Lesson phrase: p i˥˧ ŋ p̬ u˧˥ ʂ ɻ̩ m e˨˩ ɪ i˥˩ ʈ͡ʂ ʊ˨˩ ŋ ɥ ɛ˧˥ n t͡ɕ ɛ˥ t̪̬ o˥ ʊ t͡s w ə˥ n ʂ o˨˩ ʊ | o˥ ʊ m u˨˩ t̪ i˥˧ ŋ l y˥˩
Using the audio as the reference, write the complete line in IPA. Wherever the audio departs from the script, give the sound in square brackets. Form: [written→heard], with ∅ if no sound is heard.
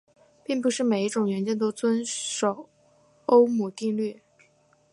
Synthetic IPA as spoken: p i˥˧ ŋ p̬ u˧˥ ʂ ɻ̩ m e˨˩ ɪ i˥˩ ʈ͡ʂ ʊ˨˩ ŋ ɥ ɛ˧˥ n t͡ɕ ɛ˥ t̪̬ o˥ ʊ t͡s w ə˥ n ʂ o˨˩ ʊ | o˥ ʊ m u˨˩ t̪ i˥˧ ŋ l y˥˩